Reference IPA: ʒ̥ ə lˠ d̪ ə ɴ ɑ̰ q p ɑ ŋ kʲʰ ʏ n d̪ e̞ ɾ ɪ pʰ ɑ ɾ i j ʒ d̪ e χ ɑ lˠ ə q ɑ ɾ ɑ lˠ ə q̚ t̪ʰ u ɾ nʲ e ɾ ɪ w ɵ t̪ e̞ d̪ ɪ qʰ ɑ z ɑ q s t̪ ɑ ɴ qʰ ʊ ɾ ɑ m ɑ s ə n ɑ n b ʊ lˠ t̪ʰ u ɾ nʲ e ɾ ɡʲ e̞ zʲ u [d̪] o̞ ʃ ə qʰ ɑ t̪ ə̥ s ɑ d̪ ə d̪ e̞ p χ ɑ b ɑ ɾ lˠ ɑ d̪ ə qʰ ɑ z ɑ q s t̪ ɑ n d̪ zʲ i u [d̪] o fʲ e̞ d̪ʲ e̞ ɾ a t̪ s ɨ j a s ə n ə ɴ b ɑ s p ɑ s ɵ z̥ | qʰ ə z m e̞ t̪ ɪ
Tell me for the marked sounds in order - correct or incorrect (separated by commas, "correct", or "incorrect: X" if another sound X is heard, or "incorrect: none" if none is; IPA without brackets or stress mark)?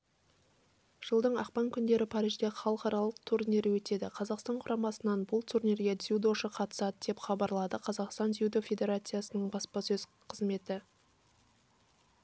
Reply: correct, correct